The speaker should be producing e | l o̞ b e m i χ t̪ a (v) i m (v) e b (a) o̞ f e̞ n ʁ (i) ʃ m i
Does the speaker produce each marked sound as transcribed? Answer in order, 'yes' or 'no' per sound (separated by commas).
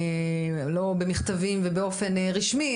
yes, yes, no, yes